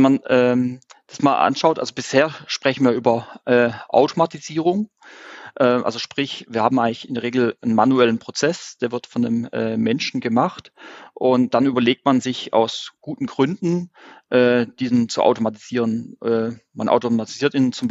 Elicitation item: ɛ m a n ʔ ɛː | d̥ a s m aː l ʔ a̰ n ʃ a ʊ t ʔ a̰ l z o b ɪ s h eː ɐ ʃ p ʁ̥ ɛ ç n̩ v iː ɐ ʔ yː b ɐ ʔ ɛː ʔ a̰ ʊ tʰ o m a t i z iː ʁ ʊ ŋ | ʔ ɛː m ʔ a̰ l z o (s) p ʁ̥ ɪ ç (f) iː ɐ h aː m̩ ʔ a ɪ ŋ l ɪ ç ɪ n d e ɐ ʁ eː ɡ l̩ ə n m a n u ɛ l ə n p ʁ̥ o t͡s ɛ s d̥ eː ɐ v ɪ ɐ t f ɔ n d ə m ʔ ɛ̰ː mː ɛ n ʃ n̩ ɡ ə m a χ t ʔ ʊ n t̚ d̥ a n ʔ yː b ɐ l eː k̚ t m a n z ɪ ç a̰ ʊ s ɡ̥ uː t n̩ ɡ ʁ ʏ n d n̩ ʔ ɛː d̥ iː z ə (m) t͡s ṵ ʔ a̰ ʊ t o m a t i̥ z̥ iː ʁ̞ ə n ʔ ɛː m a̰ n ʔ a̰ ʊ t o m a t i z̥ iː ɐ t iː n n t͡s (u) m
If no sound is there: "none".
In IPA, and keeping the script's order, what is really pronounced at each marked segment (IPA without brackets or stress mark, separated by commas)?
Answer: ʃ, v, n, ʊ